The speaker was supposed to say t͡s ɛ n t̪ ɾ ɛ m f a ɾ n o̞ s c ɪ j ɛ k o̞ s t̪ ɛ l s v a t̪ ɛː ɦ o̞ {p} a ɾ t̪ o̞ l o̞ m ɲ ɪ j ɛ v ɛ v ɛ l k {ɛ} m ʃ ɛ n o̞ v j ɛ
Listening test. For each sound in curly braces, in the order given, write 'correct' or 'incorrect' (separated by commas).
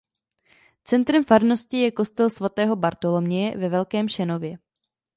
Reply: incorrect, incorrect